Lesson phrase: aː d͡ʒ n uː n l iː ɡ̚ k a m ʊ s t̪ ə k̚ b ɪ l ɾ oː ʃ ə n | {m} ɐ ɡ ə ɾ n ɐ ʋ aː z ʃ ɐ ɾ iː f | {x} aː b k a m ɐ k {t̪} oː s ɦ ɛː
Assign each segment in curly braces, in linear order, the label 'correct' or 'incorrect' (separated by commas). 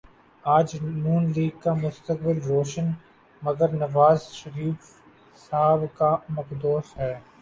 correct, incorrect, incorrect